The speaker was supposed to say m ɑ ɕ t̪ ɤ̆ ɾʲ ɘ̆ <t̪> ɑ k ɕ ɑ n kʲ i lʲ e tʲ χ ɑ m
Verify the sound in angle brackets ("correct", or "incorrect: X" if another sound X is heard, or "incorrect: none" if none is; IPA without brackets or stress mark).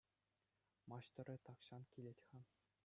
correct